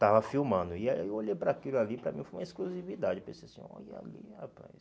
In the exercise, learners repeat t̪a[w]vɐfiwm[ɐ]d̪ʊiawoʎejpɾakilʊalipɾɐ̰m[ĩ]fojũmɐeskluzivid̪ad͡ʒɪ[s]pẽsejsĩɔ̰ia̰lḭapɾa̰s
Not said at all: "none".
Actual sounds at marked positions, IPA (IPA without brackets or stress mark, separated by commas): none, ɐ̃, ĩ, none